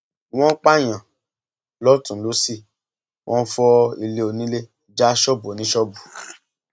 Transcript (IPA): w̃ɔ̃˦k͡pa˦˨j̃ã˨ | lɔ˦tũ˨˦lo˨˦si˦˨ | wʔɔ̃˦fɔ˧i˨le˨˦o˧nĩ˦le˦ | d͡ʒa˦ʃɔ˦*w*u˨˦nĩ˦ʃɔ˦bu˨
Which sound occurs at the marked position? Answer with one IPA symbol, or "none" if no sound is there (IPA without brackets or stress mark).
b